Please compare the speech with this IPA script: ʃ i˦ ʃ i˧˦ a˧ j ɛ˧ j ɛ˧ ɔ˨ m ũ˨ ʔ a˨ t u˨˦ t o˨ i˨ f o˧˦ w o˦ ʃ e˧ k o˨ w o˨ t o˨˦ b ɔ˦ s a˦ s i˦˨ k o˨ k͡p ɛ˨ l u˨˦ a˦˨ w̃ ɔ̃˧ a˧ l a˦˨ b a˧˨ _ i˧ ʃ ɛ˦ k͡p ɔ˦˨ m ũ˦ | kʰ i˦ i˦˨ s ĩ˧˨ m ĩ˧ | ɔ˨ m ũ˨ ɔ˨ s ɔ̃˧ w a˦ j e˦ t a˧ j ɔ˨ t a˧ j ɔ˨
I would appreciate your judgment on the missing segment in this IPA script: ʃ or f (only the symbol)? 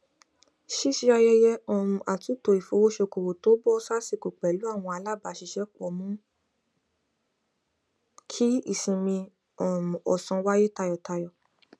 ʃ